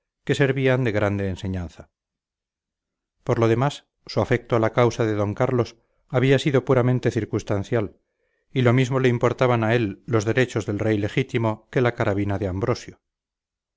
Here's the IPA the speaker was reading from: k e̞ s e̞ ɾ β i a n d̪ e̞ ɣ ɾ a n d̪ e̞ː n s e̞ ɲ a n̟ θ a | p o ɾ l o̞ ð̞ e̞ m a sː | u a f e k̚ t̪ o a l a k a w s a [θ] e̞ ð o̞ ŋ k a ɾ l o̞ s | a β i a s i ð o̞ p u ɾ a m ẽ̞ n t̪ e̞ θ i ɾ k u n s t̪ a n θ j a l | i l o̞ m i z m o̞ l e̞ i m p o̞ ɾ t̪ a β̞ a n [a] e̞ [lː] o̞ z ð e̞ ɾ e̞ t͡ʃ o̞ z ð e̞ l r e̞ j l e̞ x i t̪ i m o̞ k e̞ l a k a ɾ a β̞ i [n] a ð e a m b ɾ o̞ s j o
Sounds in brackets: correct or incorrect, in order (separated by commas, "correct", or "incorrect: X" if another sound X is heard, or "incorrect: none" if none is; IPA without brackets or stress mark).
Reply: incorrect: ð, correct, correct, correct